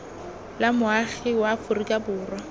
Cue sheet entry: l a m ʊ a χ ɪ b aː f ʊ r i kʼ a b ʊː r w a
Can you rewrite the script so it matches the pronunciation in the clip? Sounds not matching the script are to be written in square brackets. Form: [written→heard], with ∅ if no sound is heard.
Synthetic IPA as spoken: l a m ʊ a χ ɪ [b→w] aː f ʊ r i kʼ a b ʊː r w a